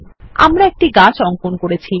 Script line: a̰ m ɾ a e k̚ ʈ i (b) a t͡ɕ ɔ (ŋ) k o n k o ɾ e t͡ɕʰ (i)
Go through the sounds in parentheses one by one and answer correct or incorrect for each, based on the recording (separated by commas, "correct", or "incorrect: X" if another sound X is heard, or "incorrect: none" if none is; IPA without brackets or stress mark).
incorrect: ɡ, correct, correct